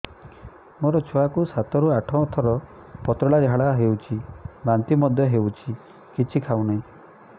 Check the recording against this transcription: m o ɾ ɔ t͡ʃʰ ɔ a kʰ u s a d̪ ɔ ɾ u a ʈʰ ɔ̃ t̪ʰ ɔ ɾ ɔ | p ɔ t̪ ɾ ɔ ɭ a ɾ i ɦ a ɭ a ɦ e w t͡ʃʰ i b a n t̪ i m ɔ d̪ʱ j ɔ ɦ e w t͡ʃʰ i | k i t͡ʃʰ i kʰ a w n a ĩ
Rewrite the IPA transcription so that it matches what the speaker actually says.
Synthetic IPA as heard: m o ɾ ɔ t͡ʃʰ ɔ a k u s a t̪ ɔ ɾ u a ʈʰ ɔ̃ t̪ʰ ɔ ɾ ɔ | p ɔ t̪ ɾ ɔ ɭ a ɾ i ɦ a ɭ a ɦ e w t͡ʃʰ i b a n t̪ i m ɔ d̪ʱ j ɔ ɦ e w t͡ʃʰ i | k i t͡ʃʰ i kʰ a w n a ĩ